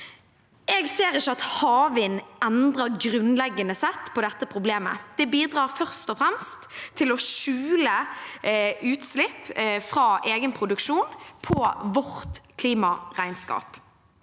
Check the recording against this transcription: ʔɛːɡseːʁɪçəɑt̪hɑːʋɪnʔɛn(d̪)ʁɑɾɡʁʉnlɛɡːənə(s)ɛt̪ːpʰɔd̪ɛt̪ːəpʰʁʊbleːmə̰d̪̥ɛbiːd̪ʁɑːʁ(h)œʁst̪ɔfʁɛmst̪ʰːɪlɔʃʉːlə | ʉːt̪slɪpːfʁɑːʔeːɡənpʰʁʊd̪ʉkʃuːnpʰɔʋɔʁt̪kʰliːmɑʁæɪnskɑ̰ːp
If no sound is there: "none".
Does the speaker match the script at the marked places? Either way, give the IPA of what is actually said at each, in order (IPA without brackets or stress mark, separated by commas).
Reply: d̪, s, f